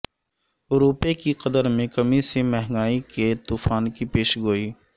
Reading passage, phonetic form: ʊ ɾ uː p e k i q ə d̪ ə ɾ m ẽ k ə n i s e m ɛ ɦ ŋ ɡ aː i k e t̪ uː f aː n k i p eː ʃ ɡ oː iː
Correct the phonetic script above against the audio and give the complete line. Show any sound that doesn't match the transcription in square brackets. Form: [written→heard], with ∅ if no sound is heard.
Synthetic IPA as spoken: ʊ ɾ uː p e k i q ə d̪ ə ɾ m ẽ k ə [n→m] i s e m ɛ ɦ ŋ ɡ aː i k e t̪ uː f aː n k i p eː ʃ ɡ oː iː